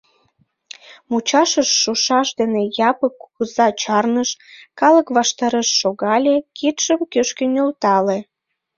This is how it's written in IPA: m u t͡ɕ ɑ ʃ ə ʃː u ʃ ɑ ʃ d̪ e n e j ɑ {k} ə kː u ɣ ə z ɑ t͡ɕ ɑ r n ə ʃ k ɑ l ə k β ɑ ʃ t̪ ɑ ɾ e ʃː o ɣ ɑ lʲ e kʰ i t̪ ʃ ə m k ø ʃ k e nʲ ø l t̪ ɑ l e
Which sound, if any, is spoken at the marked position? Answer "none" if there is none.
p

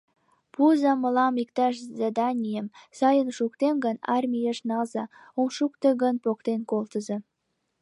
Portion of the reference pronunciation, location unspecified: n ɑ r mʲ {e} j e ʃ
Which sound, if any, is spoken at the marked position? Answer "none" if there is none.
i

